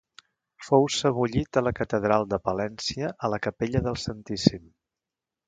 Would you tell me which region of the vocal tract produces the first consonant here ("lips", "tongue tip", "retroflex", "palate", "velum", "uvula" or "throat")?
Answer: lips